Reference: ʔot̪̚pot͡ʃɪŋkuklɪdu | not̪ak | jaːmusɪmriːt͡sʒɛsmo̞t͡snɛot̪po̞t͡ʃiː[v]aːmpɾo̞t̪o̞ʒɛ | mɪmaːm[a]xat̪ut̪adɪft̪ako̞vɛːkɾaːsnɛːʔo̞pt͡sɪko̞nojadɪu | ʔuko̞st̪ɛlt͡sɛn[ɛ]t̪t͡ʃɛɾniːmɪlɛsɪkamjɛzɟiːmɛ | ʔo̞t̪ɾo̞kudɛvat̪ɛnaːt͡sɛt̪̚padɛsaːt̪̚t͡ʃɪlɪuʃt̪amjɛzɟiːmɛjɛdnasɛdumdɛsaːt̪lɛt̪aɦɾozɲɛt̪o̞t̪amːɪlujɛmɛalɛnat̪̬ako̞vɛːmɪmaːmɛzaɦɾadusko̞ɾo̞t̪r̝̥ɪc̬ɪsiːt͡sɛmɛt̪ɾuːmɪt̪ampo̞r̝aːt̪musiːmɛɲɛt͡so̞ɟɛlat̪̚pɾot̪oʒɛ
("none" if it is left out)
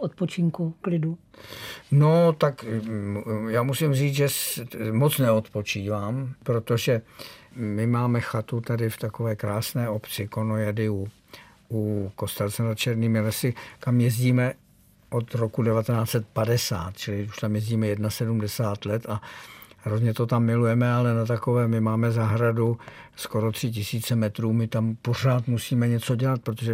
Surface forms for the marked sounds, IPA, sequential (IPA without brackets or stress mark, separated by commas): v, ɛ, a